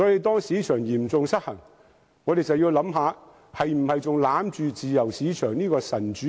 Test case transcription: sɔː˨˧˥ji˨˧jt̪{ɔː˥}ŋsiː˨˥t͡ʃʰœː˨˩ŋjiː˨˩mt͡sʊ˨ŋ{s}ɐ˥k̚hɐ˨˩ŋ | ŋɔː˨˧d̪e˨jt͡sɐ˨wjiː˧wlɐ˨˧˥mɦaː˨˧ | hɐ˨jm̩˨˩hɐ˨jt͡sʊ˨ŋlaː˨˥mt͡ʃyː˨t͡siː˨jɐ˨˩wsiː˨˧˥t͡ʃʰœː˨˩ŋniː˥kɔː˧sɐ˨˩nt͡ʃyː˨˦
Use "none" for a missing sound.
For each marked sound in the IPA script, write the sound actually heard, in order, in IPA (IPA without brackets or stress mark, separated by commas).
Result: ɔː˥, s